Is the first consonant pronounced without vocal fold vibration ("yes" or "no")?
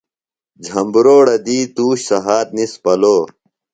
no